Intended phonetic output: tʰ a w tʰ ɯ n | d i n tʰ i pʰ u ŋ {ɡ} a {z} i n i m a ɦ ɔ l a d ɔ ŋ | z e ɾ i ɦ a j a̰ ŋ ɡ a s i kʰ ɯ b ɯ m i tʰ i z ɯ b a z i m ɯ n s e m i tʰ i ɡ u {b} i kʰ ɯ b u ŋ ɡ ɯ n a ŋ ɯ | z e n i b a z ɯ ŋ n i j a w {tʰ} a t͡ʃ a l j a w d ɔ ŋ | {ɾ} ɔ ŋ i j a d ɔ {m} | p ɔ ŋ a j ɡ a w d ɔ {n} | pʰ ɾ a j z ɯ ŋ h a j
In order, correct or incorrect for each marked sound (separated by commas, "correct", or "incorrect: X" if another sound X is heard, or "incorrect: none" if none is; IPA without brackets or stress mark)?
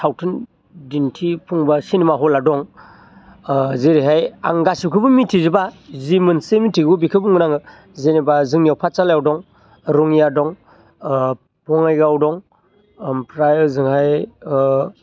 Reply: incorrect: b, incorrect: s, correct, incorrect: pʰ, correct, incorrect: ŋ, incorrect: ŋ